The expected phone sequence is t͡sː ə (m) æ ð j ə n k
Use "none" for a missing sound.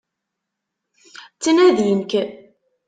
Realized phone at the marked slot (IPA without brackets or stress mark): n